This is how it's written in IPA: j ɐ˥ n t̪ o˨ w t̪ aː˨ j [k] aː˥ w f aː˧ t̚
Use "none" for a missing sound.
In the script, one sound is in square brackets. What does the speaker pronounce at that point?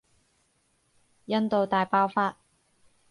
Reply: p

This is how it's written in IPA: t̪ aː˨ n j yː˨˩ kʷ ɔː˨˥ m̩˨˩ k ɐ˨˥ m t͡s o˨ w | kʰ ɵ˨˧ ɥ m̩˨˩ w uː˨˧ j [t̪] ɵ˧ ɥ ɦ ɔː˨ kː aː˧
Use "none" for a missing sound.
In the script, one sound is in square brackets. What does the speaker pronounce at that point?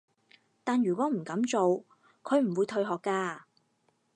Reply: t̪ʰ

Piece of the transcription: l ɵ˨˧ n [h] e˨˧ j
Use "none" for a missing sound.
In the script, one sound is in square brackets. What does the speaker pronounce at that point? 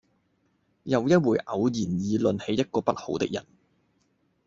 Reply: h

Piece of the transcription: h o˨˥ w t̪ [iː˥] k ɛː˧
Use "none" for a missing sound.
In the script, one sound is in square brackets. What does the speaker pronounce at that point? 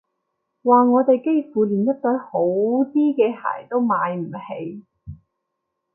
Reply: iː˥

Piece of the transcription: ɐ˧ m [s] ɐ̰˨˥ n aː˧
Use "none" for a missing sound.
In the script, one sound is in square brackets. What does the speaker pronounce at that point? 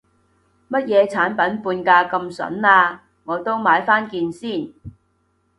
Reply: s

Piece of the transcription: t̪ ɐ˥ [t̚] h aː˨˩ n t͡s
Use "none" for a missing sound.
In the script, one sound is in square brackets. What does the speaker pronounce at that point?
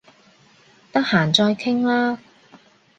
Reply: k̚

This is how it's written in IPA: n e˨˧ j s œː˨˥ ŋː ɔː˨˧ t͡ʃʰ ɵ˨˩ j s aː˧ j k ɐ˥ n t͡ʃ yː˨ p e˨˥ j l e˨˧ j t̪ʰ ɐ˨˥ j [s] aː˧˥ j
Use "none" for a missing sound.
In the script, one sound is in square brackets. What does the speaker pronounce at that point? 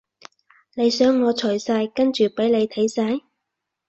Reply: s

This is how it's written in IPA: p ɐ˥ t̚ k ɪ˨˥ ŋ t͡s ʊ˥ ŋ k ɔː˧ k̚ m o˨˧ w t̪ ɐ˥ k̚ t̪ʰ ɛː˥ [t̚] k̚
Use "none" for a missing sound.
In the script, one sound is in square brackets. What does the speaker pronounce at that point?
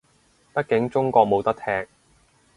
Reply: none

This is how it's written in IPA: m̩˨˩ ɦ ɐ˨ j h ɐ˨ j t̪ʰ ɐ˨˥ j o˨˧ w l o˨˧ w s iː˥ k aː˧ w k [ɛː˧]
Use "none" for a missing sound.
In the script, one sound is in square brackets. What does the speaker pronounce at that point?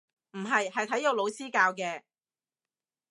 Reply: ɛː˧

